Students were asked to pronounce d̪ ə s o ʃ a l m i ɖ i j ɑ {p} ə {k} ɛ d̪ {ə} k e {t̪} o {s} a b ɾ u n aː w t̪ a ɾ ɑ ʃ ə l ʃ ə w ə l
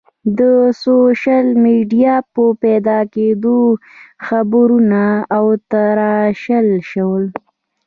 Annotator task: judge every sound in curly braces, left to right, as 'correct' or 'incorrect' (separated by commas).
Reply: correct, incorrect, incorrect, incorrect, incorrect